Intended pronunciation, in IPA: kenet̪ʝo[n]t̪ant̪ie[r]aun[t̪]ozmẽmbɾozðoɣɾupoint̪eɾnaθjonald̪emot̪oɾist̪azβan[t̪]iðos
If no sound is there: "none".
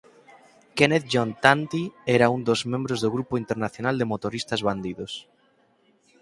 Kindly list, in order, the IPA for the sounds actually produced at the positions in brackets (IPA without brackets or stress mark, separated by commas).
n, ɾ, d̪, d̪